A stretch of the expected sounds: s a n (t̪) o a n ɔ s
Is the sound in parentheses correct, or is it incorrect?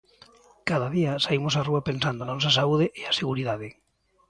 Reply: incorrect